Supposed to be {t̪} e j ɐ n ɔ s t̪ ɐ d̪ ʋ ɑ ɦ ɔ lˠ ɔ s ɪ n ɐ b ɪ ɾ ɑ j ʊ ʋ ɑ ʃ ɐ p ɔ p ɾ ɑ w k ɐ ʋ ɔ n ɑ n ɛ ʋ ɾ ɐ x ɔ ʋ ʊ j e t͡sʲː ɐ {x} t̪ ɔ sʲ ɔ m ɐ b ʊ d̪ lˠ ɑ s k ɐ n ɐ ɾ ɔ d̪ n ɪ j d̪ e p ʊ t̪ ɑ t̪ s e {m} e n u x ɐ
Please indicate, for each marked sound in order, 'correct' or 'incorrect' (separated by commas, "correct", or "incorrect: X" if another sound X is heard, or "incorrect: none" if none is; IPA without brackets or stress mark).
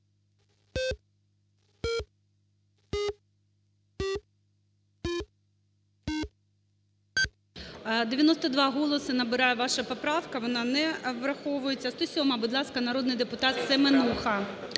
incorrect: d̪, incorrect: s, correct